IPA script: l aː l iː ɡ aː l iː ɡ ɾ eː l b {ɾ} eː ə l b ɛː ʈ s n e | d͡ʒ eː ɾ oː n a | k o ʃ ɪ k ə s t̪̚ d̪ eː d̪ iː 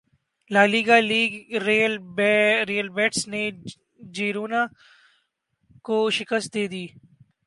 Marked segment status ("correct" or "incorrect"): correct